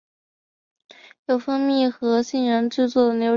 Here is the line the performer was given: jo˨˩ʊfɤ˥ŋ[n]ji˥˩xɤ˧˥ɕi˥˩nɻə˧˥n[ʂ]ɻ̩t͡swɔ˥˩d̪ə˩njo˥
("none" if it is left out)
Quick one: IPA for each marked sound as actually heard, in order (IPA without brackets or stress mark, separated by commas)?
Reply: m, ʈ͡ʂ